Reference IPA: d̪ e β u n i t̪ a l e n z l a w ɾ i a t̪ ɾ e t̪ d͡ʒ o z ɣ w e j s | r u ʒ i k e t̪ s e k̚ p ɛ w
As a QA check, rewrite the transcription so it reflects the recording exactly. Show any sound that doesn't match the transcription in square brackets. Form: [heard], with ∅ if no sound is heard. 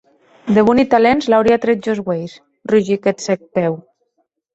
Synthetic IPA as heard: d̪ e β u n i t̪ a l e n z l a w ɾ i a t̪ ɾ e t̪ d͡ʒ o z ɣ w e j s | r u ʒ i k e t̪ s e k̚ p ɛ w